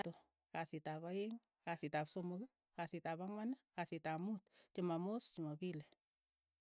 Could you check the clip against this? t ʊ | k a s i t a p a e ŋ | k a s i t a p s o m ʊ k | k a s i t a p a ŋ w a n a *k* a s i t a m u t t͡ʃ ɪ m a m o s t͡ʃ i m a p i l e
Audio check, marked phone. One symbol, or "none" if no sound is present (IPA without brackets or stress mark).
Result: k